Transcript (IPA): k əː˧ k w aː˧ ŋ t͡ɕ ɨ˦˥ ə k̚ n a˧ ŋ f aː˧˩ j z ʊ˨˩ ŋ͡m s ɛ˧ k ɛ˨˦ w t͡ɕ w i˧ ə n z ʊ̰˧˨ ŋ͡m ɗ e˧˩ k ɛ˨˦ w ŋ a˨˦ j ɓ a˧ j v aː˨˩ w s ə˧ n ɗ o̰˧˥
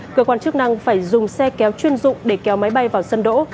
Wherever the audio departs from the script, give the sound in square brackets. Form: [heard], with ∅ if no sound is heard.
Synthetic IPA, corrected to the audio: k əː˧ k w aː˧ [n] t͡ɕ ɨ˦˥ ə k̚ n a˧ ŋ f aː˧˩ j z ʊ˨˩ ŋ͡m s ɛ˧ k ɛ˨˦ w t͡ɕ w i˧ ə n z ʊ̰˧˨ ŋ͡m ɗ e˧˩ k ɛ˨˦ w [m] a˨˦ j ɓ a˧ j v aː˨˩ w s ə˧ n ɗ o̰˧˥

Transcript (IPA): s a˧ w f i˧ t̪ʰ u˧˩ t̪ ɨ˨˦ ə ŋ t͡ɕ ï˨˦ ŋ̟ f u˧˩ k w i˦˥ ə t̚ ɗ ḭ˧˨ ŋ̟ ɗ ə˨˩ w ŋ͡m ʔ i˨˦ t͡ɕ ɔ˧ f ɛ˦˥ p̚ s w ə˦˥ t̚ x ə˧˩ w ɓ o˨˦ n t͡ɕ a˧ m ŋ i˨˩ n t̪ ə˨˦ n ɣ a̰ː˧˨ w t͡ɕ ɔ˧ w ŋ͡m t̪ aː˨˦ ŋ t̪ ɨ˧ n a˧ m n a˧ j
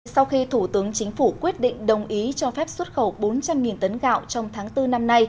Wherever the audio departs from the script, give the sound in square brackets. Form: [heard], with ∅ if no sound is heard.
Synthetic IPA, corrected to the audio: s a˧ w [x] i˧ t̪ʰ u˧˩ t̪ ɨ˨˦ ə ŋ t͡ɕ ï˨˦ ŋ̟ f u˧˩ k w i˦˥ ə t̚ ɗ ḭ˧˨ ŋ̟ ɗ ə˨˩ w ŋ͡m ʔ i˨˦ t͡ɕ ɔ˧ f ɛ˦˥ p̚ s w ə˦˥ t̚ x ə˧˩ w ɓ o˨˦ n t͡ɕ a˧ m ŋ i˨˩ n t̪ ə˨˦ n ɣ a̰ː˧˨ w t͡ɕ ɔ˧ w ŋ͡m [t̪ʰ] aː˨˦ ŋ t̪ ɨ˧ n a˧ m n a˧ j

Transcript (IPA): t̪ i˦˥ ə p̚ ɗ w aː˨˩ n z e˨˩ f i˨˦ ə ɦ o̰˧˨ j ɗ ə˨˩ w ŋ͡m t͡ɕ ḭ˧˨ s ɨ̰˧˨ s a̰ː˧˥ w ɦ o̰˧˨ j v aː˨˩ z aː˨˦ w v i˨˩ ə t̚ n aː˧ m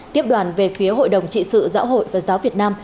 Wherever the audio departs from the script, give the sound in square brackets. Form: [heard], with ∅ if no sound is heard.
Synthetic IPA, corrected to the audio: t̪ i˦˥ ə p̚ ɗ w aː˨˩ n [v] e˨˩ f i˨˦ ə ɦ o̰˧˨ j ɗ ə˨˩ w ŋ͡m t͡ɕ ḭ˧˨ s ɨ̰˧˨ [z] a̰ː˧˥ w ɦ o̰˧˨ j v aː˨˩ z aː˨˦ w v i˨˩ ə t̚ n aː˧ m

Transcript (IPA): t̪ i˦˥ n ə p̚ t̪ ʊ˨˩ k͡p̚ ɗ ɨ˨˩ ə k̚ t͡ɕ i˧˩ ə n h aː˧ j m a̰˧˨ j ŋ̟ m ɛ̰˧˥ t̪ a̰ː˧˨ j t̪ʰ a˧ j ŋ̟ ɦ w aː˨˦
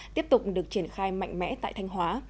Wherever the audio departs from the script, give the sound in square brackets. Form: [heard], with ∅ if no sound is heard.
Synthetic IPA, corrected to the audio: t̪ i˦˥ [∅] ə p̚ t̪ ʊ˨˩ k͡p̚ ɗ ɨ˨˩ ə k̚ t͡ɕ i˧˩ ə n [x] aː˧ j m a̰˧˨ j ŋ̟ m ɛ̰˧˥ t̪ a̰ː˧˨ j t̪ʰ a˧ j ŋ̟ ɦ w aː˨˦

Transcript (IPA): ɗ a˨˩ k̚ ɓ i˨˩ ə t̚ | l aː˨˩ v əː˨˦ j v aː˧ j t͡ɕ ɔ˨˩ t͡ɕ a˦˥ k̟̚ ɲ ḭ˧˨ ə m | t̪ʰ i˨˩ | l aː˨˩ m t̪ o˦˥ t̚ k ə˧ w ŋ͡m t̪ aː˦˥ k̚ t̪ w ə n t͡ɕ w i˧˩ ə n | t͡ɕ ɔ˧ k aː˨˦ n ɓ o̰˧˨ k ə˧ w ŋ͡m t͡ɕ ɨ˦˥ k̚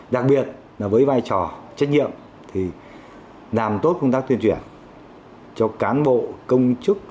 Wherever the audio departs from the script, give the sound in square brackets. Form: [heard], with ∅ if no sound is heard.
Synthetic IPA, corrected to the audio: ɗ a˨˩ k̚ ɓ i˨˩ ə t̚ | l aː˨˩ v əː˨˦ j v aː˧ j t͡ɕ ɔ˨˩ t͡ɕ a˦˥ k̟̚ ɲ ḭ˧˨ ə m | t̪ʰ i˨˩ | l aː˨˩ m t̪ o˦˥ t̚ k ə˧ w ŋ͡m t̪ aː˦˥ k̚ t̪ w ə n t͡ɕ w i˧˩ ə n | t͡ɕ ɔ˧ k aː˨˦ n ɓ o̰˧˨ k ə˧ w ŋ͡m t͡ɕ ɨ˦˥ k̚

